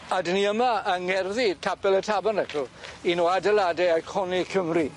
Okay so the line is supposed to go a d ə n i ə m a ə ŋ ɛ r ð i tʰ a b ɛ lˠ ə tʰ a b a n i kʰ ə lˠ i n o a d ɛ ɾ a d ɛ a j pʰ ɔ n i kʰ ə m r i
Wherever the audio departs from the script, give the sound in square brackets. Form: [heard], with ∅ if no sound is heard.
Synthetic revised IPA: a d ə n i ə m a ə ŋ ɛ r ð i tʰ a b ɛ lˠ ə tʰ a b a n [ɛ] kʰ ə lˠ i n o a d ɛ [l] a d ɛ a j [kʰ] ɔ n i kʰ ə m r i